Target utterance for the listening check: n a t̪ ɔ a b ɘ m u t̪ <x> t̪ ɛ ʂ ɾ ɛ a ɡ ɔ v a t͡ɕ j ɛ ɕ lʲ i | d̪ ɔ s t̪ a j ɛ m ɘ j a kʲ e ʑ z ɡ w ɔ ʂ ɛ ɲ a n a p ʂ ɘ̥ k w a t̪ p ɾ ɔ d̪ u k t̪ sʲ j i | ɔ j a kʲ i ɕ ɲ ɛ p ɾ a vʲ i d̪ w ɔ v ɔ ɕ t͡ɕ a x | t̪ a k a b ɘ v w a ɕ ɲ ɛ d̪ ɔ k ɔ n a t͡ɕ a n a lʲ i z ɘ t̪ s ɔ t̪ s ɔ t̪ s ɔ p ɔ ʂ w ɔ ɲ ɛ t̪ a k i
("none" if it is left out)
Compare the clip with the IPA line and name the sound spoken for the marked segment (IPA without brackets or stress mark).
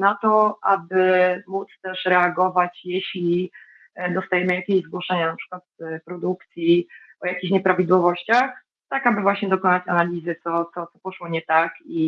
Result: s